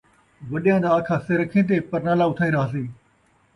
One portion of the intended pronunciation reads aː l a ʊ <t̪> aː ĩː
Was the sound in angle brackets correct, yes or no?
no